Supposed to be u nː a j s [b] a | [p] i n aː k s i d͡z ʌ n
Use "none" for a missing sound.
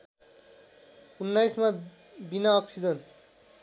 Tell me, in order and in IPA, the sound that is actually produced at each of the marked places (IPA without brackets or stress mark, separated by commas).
m, b